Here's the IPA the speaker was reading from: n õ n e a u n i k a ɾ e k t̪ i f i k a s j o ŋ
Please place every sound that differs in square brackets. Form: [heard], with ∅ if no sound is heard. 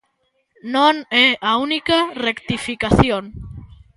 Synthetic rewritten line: n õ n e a u n i k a [r] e k t̪ i f i k a [θ] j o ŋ